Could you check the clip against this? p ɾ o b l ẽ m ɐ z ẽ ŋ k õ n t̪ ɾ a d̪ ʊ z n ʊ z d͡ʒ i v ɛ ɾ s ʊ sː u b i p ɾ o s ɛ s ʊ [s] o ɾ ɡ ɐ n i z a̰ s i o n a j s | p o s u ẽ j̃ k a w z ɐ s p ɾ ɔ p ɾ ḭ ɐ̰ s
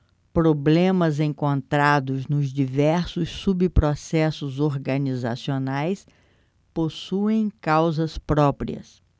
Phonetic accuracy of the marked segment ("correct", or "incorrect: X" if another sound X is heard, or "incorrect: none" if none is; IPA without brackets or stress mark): incorrect: z